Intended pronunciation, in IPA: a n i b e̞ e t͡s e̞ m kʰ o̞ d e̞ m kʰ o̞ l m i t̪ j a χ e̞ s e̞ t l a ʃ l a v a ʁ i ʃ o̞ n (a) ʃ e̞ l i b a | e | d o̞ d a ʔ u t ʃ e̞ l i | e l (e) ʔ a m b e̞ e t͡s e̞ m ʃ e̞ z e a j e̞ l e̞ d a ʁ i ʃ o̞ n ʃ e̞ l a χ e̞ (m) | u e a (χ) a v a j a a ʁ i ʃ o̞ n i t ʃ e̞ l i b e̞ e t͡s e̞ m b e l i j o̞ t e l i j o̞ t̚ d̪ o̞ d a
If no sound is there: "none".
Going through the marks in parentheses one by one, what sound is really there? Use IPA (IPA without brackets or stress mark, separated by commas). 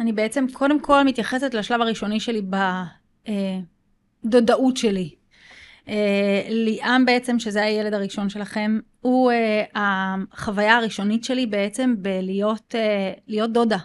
i, i, m, χ